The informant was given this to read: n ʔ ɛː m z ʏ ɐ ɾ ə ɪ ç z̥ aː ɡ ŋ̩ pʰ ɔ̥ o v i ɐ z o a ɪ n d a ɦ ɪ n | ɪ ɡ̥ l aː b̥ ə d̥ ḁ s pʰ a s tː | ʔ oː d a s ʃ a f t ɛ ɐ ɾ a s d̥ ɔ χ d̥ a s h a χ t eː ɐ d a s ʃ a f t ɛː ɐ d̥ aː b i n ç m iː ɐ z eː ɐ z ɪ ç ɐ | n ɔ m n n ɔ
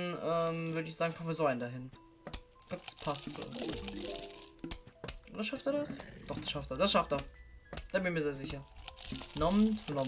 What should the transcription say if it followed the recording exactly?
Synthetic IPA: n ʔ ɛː m v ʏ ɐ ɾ ə ɪ ç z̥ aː ɡ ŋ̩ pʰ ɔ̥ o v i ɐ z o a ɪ n d a ɦ ɪ n | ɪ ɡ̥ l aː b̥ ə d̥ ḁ s pʰ a s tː | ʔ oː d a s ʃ a f t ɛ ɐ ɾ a s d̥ ɔ χ d̥ a s ʃ a f t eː ɐ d a s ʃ a f t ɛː ɐ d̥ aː b ɪ n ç m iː ɐ z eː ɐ z ɪ ç ɐ | n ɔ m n n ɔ